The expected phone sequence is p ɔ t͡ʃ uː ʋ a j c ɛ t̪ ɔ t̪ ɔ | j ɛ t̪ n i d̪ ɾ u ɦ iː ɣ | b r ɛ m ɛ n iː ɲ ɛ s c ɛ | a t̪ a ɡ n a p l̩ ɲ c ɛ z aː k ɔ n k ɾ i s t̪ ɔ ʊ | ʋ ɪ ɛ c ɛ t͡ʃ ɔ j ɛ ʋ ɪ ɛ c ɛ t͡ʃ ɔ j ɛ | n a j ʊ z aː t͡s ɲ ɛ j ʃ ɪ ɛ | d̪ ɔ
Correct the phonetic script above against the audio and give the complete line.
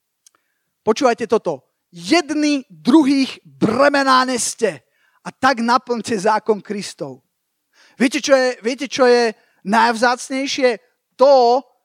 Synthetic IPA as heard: p ɔ t͡ʃ uː ʋ a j c ɛ t̪ ɔ t̪ ɔ | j ɛ d̪ n i d̪ ɾ u ɦ iː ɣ | b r ɛ m ɛ n aː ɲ ɛ s c ɛ | a t̪ a ɡ n a p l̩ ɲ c ɛ z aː k ɔ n k ɾ i s t̪ ɔ ʊ | ʋ ɪ ɛ c ɛ t͡ʃ ɔ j ɛ ʋ ɪ ɛ c ɛ t͡ʃ ɔ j ɛ | n a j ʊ z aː t͡s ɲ ɛ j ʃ ɪ ɛ | t̪ ɔ